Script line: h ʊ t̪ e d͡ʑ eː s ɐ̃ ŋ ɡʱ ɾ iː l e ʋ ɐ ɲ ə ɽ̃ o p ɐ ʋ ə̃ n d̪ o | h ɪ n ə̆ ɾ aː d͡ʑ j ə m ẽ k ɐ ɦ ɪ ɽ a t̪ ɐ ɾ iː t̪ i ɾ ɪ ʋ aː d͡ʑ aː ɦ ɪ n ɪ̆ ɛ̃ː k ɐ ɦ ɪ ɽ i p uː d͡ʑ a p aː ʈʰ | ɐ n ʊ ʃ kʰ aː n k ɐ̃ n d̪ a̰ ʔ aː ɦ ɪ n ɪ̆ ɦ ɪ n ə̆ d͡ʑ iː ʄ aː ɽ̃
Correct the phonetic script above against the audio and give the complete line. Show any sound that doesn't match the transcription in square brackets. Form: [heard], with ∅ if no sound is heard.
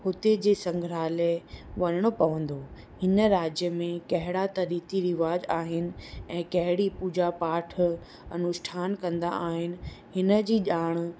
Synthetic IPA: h ʊ t̪ e d͡ʑ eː s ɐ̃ ŋ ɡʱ ɾ [aː] l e ʋ ɐ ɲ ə ɽ̃ o p ɐ ʋ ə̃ n d̪ o | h ɪ n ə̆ ɾ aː d͡ʑ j ə m ẽ k ɐ ɦ ɪ ɽ a t̪ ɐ ɾ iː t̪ i ɾ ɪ ʋ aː d͡ʑ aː ɦ ɪ n ɪ̆ ɛ̃ː k ɐ ɦ ɪ ɽ i p uː d͡ʑ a p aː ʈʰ | ɐ n ʊ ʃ [ʈʰ] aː n k ɐ̃ n d̪ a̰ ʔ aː ɦ ɪ n ɪ̆ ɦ ɪ n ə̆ d͡ʑ iː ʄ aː ɽ̃

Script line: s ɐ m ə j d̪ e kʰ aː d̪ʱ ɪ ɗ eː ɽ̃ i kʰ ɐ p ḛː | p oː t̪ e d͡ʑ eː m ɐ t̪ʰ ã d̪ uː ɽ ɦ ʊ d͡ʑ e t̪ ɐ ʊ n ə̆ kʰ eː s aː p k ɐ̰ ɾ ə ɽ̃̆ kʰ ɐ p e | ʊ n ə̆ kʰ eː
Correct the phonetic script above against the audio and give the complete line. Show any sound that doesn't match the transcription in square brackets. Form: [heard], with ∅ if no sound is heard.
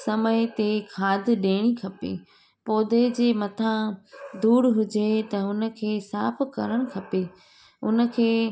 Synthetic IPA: s ɐ m ə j [t̪] e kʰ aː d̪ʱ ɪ ɗ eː ɽ̃ i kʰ ɐ p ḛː | p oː [d̪] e d͡ʑ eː m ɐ t̪ʰ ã d̪ uː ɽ ɦ ʊ d͡ʑ e t̪ ɐ ʊ n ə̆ kʰ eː s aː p k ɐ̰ ɾ ə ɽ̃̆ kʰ ɐ p e | ʊ n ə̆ kʰ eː

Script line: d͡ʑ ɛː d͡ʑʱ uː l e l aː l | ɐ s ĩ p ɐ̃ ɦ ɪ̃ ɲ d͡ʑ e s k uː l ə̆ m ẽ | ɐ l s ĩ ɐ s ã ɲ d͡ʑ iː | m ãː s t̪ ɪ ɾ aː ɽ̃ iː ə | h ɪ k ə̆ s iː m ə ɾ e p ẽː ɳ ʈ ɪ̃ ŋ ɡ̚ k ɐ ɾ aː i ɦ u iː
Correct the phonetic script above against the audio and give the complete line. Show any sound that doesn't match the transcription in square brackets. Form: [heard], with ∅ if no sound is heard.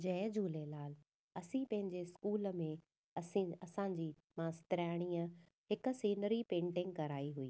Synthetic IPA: d͡ʑ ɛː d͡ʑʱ uː l e l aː l | ɐ s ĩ p ɐ̃ ɦ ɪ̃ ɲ d͡ʑ e s k uː l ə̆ m ẽ | ɐ [∅] s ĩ ɐ s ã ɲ d͡ʑ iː | m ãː s t̪ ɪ ɾ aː ɽ̃ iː ə | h ɪ k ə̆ s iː [n] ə ɾ [i] p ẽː ɳ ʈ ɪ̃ ŋ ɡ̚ k ɐ ɾ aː i ɦ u iː

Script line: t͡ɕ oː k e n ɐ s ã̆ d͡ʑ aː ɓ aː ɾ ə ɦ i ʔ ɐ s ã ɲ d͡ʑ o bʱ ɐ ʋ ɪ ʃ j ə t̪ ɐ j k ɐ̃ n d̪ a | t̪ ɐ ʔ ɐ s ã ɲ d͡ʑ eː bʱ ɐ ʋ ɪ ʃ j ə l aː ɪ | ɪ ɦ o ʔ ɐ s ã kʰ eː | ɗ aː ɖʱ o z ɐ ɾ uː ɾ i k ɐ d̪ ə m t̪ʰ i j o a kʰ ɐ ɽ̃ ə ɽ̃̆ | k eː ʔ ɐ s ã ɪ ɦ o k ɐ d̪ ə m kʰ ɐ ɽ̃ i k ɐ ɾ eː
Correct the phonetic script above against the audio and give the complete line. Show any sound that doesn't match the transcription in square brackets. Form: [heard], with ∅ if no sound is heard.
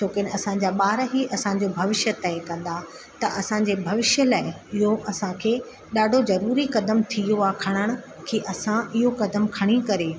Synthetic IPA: t͡ɕ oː k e n ɐ s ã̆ d͡ʑ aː ɓ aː ɾ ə ɦ i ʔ ɐ s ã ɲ d͡ʑ o bʱ ɐ ʋ ɪ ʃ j ə t̪ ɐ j k ɐ̃ n d̪ a | t̪ ɐ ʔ ɐ s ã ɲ d͡ʑ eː bʱ ɐ ʋ ɪ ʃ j ə l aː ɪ | ɪ ɦ o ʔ ɐ s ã kʰ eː | ɗ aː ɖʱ o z ɐ ɾ uː ɾ i k ɐ d̪ ə m t̪ʰ i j o a kʰ ɐ ɽ̃ ə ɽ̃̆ | [kʰ] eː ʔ ɐ s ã ɪ ɦ o k ɐ d̪ ə m kʰ ɐ ɽ̃ i k ɐ ɾ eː

